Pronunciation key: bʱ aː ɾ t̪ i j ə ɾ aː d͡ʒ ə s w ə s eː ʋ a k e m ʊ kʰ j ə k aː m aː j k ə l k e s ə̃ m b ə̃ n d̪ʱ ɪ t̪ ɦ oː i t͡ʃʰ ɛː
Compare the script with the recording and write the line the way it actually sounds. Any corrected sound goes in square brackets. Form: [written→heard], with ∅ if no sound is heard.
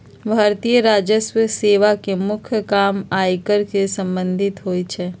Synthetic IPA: bʱ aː ɾ t̪ i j ə ɾ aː d͡ʒ ə s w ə s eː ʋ a k e m ʊ kʰ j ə k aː m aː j k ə [l→ɾ] k e s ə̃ m b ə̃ n d̪ʱ ɪ t̪ ɦ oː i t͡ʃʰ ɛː